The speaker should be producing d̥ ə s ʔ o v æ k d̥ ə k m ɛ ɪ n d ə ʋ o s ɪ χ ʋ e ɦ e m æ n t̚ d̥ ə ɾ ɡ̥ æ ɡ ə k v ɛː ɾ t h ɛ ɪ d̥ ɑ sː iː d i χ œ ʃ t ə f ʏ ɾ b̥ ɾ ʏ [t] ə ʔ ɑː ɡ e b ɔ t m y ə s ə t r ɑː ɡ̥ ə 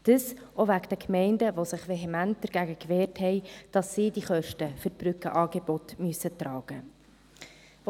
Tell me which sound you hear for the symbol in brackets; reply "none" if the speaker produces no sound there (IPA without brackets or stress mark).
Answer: k